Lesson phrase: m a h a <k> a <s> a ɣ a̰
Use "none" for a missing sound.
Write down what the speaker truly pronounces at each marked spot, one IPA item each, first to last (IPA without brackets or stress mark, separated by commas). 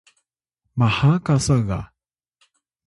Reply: k, s